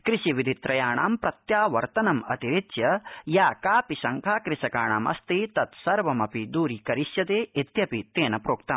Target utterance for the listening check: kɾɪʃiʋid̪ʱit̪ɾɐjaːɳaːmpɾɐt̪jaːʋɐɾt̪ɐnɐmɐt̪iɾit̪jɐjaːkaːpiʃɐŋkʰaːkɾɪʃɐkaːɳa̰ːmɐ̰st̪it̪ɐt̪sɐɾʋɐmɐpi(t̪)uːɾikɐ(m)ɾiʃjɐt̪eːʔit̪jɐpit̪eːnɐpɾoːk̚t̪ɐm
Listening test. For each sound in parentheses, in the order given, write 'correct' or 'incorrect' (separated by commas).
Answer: incorrect, incorrect